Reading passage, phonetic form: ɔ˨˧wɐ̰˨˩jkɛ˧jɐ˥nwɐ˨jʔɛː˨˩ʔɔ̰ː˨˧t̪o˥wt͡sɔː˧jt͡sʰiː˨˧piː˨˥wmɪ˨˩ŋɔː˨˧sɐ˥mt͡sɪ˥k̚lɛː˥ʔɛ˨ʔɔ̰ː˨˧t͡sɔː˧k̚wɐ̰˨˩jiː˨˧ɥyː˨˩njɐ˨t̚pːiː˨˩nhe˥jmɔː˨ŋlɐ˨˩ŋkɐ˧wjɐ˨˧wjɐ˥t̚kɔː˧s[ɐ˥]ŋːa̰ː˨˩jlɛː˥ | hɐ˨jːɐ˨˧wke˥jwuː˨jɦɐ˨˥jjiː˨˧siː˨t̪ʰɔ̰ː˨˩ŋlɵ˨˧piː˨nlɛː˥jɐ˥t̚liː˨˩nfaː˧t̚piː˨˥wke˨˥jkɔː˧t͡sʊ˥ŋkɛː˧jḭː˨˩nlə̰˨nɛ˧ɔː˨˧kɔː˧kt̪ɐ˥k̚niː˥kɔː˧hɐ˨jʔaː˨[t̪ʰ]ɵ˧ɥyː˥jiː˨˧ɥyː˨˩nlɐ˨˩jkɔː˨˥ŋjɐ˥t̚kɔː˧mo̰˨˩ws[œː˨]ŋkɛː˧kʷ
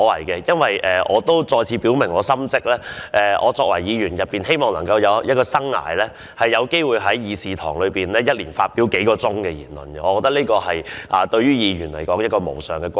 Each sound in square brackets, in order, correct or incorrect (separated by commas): correct, incorrect, correct